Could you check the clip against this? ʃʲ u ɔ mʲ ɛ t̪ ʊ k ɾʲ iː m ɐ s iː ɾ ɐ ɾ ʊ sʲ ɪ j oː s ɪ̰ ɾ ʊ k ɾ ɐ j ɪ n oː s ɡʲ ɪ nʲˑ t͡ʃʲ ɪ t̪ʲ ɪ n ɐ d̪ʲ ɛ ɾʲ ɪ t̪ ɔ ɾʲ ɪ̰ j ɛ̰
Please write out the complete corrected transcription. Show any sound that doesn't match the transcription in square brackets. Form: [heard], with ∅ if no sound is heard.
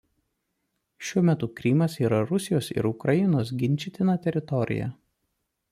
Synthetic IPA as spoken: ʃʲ u ɔ mʲ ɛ t̪ ʊ k ɾʲ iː m ɐ s iː ɾ ɐ ɾ ʊ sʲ ɪ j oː s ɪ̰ ɾ ʊ k ɾ ɐ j ɪ n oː s ɡʲ ɪ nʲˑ t͡ʃʲ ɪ t̪ʲ ɪ n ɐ [t̪ʲ] ɛ ɾʲ ɪ t̪ ɔ ɾʲ ɪ̰ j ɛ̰